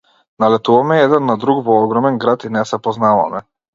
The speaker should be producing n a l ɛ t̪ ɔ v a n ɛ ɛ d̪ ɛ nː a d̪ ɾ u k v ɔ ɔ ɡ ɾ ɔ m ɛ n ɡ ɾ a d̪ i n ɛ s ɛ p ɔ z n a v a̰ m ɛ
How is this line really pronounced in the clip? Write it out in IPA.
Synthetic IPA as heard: n a l ɛ t̪ u v a m ɛ ɛ d̪ ɛ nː a d̪ ɾ u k v ɔ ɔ ɡ ɾ ɔ m ɛ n ɡ ɾ a t̪ i n ɛ s ɛ p ɔ z n a v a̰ m ɛ

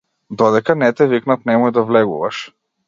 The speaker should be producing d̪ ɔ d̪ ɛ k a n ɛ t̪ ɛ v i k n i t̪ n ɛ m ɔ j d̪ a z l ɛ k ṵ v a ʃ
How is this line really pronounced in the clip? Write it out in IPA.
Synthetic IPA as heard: d̪ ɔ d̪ ɛ k a n ɛ t̪ ɛ v i k n a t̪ n ɛ m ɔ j d̪ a v l ɛ ɡ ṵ v a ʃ

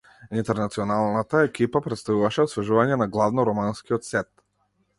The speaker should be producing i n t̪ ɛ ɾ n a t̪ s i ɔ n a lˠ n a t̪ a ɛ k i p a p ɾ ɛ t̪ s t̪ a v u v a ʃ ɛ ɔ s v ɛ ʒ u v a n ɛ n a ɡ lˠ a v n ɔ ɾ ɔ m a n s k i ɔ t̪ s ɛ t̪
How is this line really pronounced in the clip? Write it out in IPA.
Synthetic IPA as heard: i n t̪ ɛ ɾ n a t̪ s i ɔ n a lˠ n a t̪ a ɛ k i p a p ɾ ɛ t̪ s t̪ a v u v a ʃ ɛ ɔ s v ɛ ʒ u v a ɲ ɛ n a ɡ lˠ a v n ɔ ɾ ɔ m a n s k i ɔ t̪ s ɛ t̪

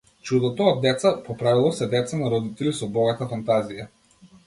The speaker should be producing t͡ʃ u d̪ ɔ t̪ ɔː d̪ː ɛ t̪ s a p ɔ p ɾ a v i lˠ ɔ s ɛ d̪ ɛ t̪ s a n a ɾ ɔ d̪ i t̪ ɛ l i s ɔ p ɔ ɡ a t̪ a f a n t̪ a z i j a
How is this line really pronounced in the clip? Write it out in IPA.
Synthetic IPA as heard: t͡ʃ u d̪ ɔ t̪ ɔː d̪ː ɛ t̪ s a p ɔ p ɾ a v i lˠ ɔ s ɛ d̪ ɛ t̪ s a n a ɾ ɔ d̪ i t̪ ɛ l i s ɔ b ɔ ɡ a t̪ a f a n t̪ a z i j a

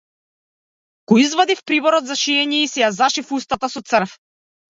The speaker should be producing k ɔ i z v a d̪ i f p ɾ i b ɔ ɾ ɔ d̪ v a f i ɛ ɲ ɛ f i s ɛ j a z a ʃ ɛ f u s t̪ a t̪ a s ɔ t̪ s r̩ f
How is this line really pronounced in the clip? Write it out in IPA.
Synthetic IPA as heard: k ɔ i z v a d̪ i f p ɾ i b ɔ ɾ ɔ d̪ z a ʃ i ɛ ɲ ɛ i s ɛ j a z a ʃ i f u s t̪ a t̪ a s ɔ t̪ s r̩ f

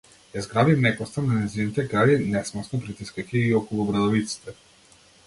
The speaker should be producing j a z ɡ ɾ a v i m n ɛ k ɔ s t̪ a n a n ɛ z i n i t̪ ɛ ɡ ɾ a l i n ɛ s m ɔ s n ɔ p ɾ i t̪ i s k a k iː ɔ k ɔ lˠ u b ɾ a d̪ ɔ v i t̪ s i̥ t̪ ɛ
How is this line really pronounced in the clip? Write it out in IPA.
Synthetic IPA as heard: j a z ɡ ɾ a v i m n ɛ k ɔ s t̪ a n a n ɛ z i n i t̪ ɛ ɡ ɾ a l i n ɛ s m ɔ s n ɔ p ɾ i t̪ i s k a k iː ɔ k ɔ lˠ u b ɾ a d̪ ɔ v i t̪ s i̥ t̪ ɛ

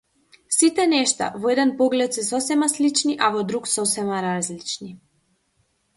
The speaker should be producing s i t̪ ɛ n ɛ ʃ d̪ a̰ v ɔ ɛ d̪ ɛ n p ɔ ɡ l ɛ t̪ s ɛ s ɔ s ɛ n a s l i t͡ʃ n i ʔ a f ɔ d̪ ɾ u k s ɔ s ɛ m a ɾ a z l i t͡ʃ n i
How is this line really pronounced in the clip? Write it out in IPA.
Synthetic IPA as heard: s i t̪ ɛ n ɛ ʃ t̪ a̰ v ɔ ɛ d̪ ɛ n p ɔ ɡ l ɛ t̪ s ɛ s ɔ s ɛ m a s l i t͡ʃ n i ʔ a v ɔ d̪ ɾ u k s ɔ s ɛ m a ɾ a z l i t͡ʃ n i

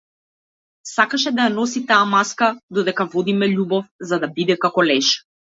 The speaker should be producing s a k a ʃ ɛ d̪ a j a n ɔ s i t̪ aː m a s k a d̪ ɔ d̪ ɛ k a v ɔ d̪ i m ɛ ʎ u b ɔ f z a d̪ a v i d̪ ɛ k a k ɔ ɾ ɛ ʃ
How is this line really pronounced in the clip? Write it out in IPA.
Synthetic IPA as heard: s a k a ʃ ɛ d̪ a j a n ɔ s i t̪ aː m a s k a d̪ ɔ d̪ ɛ k a v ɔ d̪ i m ɛ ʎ u b ɔ f z a d̪ a b i d̪ ɛ k a k ɔ l ɛ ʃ

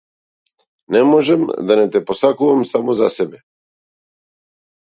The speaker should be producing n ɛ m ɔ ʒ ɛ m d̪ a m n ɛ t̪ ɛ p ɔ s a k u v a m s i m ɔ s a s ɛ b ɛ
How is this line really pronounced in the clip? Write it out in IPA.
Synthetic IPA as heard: n ɛ m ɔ ʒ ɛ m d̪ a n ɛ t̪ ɛ p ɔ s a k u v a m s a m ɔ z a s ɛ b ɛ

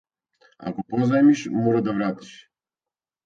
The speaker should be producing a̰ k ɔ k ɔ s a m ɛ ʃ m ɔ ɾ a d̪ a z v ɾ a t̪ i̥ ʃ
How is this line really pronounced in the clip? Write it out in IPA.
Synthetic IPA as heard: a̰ k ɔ p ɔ z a m i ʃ m ɔ ɾ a d̪ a v ɾ a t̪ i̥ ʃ

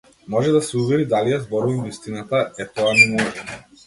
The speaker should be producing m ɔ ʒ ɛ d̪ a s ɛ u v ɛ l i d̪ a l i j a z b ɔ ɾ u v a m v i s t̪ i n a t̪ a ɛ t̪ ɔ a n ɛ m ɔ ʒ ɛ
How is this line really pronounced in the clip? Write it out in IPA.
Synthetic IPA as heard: m ɔ ʒ ɛ d̪ a s ɛ u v ɛ ɾ i d̪ a l i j a z b ɔ ɾ u v a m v i s t̪ i n a t̪ a ɛ t̪ ɔ a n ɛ m ɔ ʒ ɛ

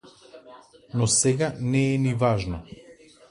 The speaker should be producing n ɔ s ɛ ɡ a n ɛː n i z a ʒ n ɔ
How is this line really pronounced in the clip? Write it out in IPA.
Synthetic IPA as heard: n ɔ s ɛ ɡ a n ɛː n i v a ʒ n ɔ

